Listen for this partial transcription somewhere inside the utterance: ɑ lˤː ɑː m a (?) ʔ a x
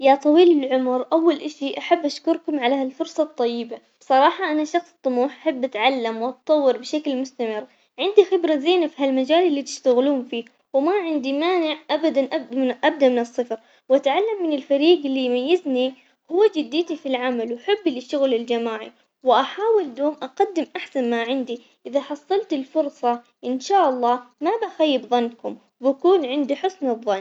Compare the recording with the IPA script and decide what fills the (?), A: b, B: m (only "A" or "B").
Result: A